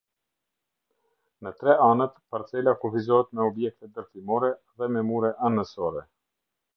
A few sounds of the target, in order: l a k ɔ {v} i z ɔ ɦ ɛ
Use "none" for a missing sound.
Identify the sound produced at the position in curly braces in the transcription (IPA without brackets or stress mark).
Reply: f